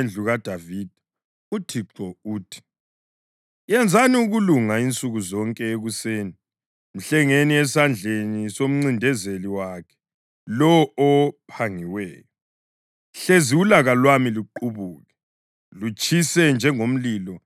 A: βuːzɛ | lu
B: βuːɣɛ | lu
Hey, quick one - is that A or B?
B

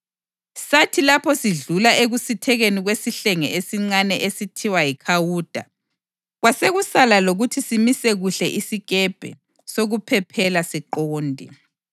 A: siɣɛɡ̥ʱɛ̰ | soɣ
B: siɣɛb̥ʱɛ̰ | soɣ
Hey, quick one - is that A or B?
B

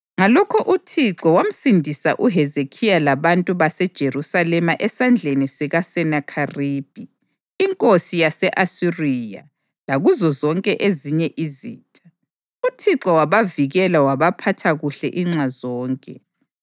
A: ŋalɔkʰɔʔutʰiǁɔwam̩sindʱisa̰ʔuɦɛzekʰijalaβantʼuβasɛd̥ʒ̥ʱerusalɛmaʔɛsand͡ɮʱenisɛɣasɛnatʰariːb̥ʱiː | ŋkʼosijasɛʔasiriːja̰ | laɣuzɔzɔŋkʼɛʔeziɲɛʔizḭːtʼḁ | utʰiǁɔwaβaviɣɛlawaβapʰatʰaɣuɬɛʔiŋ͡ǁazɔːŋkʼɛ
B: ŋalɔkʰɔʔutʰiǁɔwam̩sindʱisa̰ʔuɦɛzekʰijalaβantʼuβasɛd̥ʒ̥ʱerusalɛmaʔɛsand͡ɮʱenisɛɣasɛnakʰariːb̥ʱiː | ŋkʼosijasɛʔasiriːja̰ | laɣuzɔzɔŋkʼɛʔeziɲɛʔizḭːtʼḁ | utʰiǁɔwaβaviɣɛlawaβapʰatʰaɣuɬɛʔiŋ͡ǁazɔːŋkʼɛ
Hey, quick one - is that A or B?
B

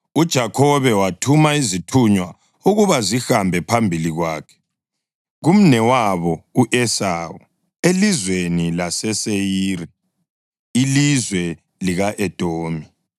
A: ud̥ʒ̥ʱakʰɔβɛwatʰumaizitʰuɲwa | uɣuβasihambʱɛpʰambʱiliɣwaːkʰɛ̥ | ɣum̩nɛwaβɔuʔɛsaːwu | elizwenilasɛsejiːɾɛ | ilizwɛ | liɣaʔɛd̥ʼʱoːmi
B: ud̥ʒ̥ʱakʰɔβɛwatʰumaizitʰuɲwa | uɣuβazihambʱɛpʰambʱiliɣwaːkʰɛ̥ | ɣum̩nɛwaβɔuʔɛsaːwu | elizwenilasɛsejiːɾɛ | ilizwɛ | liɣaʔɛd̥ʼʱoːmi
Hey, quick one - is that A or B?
B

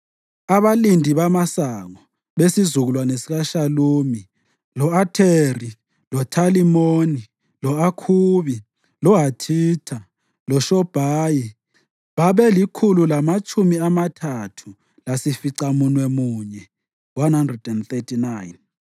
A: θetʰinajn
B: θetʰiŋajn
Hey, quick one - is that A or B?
A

